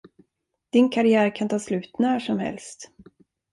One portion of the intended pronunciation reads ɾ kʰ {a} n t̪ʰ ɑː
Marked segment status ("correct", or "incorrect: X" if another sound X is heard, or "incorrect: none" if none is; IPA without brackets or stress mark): correct